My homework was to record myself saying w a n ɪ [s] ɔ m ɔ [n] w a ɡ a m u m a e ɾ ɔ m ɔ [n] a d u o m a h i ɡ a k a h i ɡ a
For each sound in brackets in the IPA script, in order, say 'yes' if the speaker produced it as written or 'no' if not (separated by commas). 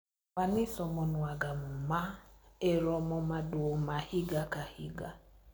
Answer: yes, yes, no